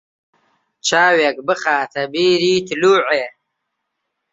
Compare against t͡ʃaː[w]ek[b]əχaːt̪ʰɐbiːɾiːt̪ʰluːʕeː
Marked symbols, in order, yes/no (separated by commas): yes, yes